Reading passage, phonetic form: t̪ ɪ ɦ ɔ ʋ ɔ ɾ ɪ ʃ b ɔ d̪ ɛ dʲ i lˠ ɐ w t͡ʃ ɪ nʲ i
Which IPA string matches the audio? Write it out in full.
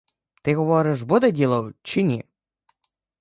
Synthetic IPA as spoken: t̪ ɪ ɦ ɔ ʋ ɔ ɾ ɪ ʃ b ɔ d̪ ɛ dʲ i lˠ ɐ w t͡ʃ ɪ nʲ i